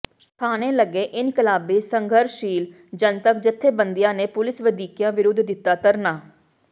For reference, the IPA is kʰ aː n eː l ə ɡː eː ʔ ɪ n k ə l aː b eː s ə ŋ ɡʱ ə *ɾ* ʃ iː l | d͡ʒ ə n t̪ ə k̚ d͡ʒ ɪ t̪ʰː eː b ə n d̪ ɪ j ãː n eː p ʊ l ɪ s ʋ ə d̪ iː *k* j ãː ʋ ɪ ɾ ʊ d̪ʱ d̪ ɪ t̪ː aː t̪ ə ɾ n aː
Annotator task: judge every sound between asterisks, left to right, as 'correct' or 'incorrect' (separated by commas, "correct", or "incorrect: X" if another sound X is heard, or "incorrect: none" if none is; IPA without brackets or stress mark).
correct, correct